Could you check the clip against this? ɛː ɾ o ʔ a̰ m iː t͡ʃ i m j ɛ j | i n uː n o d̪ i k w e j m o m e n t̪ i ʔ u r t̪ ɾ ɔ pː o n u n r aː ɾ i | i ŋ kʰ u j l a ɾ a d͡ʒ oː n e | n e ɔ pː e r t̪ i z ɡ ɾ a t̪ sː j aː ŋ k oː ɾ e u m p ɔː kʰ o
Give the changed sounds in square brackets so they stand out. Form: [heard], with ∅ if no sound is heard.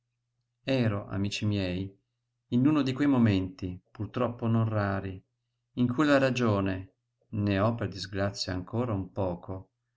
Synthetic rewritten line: ɛː ɾ o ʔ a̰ m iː t͡ʃ i m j ɛ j | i n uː n o d̪ i k w e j m o m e n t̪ i [p] u r t̪ ɾ ɔ pː o n [o] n r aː ɾ i | i ŋ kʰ u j l a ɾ a d͡ʒ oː n e | n e ɔ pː e r [d̪] i z ɡ ɾ a t̪ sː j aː ŋ k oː ɾ [a] u m p ɔː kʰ o

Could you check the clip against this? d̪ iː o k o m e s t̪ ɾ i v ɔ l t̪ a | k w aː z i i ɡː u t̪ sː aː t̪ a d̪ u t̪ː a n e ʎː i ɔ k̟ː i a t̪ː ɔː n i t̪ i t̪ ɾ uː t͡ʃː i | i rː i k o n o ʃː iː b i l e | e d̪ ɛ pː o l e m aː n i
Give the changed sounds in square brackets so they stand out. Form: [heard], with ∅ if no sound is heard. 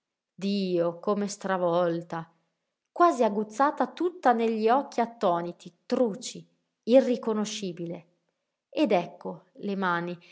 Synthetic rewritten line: d̪ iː o k o m e s t̪ ɾ [a] v ɔ l t̪ a | k w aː z i [a] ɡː u t̪ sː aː t̪ a [t̪] u t̪ː a n e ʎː i ɔ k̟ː i a t̪ː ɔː n i t̪ i t̪ ɾ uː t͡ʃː i | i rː i k o n o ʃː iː b i l e | e d̪ ɛ [kː] o l e m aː n i

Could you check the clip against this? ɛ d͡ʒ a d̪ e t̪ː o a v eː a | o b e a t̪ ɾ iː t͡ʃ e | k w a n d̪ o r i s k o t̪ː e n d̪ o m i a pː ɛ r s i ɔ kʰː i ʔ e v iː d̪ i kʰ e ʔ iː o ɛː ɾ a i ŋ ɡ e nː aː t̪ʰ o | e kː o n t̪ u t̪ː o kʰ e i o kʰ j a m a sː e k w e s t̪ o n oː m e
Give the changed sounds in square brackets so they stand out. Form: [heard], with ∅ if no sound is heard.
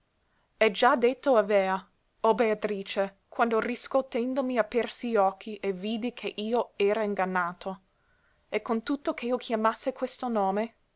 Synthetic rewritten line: ɛ d͡ʒ a d̪ e t̪ː o a v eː a | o b e a t̪ ɾ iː t͡ʃ e | k w a n d̪ o r i s k o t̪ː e n d̪ o m i a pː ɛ r s i ɔ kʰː i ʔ e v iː d̪ i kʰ e ʔ iː o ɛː ɾ a i ŋ ɡ [a] nː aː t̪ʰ o | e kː o n t̪ u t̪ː o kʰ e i o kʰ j a m a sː e k w e s t̪ o n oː m e

